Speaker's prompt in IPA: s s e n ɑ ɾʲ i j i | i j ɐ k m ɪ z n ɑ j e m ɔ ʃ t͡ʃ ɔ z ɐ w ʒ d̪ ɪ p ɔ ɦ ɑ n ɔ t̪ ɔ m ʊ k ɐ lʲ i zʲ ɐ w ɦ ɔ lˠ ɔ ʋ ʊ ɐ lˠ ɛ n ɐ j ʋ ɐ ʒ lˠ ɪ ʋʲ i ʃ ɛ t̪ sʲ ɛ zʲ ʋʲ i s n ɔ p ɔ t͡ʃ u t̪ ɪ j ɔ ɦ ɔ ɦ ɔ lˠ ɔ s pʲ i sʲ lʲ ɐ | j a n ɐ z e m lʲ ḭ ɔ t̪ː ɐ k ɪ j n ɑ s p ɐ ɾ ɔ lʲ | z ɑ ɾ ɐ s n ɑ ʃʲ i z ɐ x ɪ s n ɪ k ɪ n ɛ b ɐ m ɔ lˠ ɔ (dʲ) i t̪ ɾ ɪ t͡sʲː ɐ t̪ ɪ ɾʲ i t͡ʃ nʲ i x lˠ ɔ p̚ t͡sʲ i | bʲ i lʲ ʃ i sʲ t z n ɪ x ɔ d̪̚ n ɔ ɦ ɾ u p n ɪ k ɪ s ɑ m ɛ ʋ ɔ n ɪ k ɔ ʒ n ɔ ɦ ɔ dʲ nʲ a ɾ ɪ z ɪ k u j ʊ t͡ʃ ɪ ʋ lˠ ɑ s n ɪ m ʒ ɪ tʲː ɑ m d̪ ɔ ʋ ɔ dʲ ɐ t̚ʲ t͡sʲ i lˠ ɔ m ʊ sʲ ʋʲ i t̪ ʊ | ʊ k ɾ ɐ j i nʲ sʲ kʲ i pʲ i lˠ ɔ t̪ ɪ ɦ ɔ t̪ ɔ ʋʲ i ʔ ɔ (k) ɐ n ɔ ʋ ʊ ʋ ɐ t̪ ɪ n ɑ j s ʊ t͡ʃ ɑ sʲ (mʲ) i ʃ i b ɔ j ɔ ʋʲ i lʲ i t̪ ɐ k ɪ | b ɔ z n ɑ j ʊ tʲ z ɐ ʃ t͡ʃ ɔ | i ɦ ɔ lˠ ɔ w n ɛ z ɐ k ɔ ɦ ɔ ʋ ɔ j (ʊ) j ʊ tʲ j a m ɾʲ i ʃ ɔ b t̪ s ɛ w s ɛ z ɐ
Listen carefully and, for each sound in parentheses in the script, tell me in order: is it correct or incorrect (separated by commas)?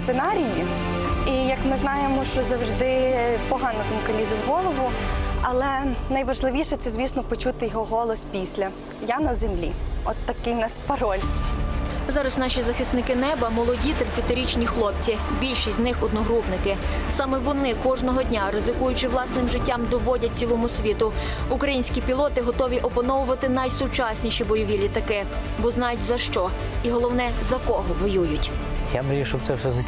correct, incorrect, incorrect, incorrect